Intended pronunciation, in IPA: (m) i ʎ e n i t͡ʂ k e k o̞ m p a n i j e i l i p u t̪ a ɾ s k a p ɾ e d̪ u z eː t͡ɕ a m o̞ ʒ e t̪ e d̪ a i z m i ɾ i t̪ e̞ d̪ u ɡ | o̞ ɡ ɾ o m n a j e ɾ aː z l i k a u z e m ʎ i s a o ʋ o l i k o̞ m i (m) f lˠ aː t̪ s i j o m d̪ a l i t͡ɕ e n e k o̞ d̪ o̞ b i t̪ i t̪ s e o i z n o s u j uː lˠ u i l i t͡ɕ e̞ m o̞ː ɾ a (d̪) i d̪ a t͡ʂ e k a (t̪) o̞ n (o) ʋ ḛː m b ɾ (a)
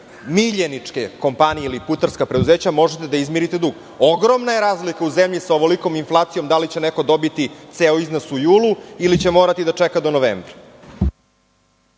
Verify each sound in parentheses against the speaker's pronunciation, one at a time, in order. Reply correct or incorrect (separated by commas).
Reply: correct, incorrect, incorrect, incorrect, correct, correct